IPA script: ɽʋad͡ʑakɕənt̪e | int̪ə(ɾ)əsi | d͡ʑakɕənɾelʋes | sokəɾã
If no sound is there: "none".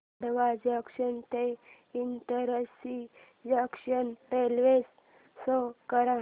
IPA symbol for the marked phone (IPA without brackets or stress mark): ɾ